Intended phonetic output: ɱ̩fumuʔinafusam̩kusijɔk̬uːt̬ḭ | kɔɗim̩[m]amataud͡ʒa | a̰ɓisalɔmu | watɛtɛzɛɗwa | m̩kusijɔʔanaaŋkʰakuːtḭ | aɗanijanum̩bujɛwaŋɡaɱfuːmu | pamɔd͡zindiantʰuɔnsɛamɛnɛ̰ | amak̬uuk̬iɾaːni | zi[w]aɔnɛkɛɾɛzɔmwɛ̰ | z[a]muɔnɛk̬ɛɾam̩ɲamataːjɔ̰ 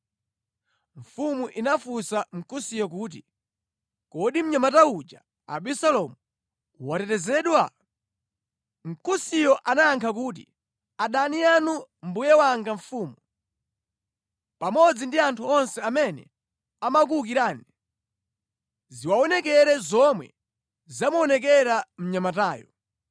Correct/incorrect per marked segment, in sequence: incorrect, correct, correct

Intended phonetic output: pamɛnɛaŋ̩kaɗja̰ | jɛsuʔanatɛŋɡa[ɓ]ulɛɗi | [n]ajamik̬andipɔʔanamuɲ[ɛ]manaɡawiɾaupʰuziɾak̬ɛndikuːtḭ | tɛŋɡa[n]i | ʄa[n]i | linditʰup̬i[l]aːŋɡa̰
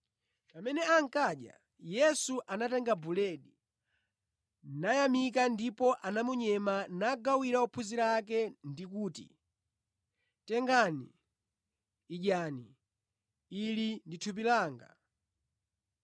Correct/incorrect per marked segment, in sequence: incorrect, correct, correct, correct, correct, correct

